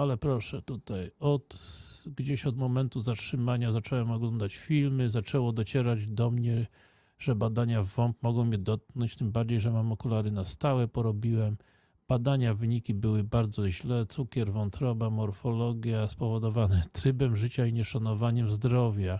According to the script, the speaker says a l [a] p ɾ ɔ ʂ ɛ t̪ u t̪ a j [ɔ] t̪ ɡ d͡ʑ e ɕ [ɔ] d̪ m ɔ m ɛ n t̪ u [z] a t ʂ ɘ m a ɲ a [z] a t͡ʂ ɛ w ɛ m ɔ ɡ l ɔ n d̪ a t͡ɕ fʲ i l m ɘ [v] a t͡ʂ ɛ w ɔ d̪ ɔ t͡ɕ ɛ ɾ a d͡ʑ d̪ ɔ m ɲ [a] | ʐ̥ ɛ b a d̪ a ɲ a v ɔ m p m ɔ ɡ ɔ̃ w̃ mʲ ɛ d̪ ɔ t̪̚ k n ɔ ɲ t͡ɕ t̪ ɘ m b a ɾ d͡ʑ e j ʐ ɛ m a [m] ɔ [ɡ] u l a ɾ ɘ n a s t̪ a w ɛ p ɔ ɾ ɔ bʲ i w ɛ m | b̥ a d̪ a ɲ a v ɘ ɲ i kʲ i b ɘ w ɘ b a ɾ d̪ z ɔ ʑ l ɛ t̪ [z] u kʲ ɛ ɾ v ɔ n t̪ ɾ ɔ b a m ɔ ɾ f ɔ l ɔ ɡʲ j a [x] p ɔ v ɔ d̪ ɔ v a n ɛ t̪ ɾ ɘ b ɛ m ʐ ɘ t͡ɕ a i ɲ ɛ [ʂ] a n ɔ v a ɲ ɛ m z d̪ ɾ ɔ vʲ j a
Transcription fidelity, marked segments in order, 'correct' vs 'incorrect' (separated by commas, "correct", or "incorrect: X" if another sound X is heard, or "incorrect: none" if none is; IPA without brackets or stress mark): incorrect: ɛ, correct, correct, correct, correct, incorrect: z, incorrect: ɛ, correct, incorrect: k, incorrect: s, incorrect: s, correct